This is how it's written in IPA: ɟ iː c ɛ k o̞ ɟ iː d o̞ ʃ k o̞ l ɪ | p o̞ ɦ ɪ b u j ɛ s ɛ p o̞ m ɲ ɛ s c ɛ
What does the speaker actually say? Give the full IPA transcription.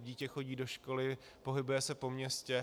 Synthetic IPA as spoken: ɟ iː c ɛ x o̞ ɟ iː d o̞ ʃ k o̞ l ɪ | p o̞ ɦ ɪ b u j ɛ s ɛ p o̞ m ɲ ɛ s c ɛ